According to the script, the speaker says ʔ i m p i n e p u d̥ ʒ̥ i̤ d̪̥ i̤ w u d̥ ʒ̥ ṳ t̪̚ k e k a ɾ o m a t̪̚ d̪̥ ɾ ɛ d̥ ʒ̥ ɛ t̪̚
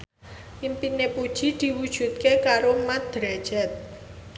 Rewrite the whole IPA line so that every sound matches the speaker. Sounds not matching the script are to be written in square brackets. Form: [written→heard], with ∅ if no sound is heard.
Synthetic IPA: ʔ i m p i n e p u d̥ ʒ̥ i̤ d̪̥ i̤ w u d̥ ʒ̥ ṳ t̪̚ k e k a ɾ o m a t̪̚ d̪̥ ɾ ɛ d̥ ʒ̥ ɛ t̪̚